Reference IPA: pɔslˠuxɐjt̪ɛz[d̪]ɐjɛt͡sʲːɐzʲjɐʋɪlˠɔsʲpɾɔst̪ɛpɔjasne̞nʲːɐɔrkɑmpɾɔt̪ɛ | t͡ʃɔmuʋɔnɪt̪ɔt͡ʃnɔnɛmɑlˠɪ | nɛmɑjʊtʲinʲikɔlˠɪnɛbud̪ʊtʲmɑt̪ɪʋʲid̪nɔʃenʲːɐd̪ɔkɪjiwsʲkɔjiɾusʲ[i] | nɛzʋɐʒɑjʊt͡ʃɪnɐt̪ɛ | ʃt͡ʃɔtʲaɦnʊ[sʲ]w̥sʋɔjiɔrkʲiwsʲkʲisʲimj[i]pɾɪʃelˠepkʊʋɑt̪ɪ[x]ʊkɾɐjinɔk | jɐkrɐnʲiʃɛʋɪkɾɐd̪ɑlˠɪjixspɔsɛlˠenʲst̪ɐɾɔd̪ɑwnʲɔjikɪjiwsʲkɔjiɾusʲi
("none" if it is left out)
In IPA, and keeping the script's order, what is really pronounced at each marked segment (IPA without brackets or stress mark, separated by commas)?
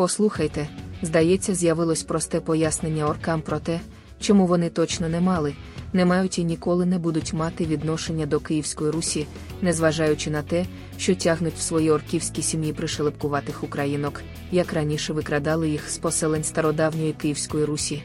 d̪, i, tʲ, i, x